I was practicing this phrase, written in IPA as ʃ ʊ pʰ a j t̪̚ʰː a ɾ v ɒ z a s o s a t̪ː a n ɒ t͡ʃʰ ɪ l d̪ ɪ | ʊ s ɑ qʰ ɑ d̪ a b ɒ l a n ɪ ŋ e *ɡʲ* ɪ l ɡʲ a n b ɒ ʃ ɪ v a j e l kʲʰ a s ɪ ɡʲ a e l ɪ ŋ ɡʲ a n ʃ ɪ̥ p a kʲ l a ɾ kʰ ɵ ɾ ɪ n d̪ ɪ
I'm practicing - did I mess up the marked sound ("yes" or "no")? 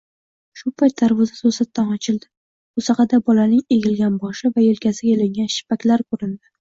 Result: no